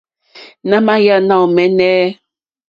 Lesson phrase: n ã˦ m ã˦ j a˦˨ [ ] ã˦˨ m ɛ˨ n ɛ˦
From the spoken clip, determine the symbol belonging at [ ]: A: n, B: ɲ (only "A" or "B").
A